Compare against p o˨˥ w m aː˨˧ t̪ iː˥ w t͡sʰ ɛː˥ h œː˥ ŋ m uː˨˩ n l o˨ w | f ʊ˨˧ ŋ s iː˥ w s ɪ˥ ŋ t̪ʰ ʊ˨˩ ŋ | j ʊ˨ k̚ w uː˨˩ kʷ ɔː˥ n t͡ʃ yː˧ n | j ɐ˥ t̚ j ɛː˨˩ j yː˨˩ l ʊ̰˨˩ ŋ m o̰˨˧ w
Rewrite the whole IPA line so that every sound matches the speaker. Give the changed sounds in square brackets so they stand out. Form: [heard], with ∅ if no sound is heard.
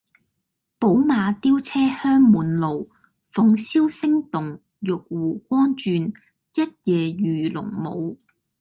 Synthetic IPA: p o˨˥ w m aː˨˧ t̪ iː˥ w t͡sʰ ɛː˥ h œː˥ ŋ m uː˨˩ n l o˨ w | f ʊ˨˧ ŋ s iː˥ w s ɪ˥ ŋ [t̪] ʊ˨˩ ŋ | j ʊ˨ k̚ w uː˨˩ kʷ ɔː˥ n t͡ʃ yː˧ n | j ɐ˥ t̚ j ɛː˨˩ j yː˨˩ l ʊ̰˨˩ ŋ m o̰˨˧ w